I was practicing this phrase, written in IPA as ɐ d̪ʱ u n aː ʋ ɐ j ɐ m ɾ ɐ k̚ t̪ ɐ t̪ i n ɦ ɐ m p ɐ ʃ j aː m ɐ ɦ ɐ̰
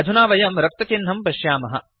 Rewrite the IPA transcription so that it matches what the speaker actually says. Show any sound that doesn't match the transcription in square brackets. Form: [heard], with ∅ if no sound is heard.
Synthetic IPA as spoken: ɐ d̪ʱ u n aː ʋ ɐ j ɐ m ɾ ɐ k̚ t̪ ɐ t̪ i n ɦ ɐ m p ɐ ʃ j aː m ɐ ɦ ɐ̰

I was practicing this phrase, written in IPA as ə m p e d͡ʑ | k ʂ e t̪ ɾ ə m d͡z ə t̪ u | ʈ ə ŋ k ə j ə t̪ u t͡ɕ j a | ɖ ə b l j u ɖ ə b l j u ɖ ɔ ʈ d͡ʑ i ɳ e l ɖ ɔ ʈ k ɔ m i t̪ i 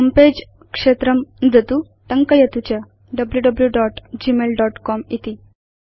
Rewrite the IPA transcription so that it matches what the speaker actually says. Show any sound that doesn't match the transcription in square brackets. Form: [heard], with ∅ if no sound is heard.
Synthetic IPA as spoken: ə m p e d͡ʑ | k ʂ e t̪ ɾ ə m d͡z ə t̪ u | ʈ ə ŋ k ə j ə t̪ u t͡ɕ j a | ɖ ə b l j u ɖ ə b l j u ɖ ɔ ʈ d͡ʑ i [m] e l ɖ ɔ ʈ k ɔ m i t̪ i

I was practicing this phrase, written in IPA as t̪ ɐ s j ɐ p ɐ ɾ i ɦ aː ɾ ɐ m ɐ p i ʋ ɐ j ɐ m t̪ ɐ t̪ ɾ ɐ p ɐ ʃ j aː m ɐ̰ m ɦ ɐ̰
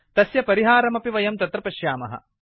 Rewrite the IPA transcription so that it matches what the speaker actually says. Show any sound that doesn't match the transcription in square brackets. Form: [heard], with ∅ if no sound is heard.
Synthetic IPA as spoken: t̪ ɐ s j ɐ p ɐ ɾ i ɦ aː ɾ ɐ m ɐ p i ʋ ɐ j ɐ m t̪ ɐ t̪ ɾ ɐ p ɐ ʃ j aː m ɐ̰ [∅] ɦ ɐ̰

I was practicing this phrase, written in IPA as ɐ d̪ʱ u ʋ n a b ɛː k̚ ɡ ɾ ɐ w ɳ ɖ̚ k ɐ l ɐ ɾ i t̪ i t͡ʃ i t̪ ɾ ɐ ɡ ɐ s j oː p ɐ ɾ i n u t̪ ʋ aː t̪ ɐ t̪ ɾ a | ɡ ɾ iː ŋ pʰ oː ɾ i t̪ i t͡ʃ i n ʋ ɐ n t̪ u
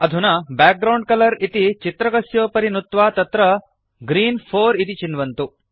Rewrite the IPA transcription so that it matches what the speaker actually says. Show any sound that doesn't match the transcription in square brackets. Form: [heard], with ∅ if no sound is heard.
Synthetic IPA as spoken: ɐ d̪ʱ u [∅] n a b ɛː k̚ ɡ ɾ ɐ w ɳ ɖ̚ k ɐ l ɐ ɾ i t̪ i t͡ʃ i t̪ ɾ ɐ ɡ ɐ s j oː p ɐ ɾ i n u t̪ ʋ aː t̪ ɐ t̪ ɾ [ɐ] | ɡ ɾ iː [n] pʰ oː ɾ i t̪ i t͡ʃ i n ʋ ɐ n t̪ u

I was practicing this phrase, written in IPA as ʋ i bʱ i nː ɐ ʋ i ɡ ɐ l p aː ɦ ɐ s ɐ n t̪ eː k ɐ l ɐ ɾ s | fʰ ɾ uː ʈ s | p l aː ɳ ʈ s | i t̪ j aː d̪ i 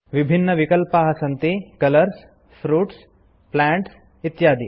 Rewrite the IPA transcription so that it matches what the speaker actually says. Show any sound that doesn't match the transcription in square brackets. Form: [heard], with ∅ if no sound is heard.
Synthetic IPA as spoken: ʋ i bʱ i nː ɐ ʋ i [k] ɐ l p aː ɦ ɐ s ɐ n t̪ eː k ɐ l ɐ ɾ s | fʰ ɾ uː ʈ s | p l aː ɳ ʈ s | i t̪ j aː d̪ i

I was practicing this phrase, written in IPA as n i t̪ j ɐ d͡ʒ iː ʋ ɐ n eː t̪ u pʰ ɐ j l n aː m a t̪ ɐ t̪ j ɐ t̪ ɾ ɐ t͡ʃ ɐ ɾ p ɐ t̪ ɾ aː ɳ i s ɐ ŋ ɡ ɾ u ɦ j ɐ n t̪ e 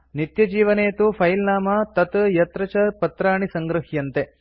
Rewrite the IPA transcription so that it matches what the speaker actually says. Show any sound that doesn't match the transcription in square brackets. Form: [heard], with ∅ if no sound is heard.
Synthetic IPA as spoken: n i t̪ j ɐ d͡ʒ iː ʋ ɐ n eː t̪ u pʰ ɐ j l n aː m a t̪ ɐ t̪ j ɐ t̪ ɾ ɐ t͡ʃ ɐ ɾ p ɐ t̪ ɾ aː ɳ i s ɐ ŋ ɡ ɾ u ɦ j ɐ n t̪ e

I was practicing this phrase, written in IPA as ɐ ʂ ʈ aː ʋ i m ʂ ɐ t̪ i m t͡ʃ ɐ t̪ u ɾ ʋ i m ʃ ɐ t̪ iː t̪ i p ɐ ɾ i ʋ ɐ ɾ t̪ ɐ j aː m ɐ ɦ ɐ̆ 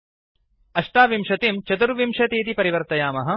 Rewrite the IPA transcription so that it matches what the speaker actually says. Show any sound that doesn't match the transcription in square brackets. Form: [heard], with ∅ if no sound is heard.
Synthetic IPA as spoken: ɐ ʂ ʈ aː ʋ i m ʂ ɐ t̪ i m t͡ʃ ɐ t̪ u ɾ ʋ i m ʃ ɐ t̪ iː t̪ i p ɐ ɾ i ʋ ɐ ɾ t̪ ɐ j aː m ɐ ɦ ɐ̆

